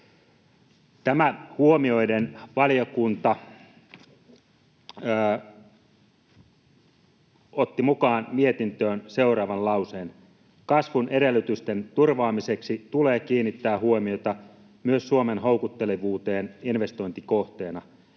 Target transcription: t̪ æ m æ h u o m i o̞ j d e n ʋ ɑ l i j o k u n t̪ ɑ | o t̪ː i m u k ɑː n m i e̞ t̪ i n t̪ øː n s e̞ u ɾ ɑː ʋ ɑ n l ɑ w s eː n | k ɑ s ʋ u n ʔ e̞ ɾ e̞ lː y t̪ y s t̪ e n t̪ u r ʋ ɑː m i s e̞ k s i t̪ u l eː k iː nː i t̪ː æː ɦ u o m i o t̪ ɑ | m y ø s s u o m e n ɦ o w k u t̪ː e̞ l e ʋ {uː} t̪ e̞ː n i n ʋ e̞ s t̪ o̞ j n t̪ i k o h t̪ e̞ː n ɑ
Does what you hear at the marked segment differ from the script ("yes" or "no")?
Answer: no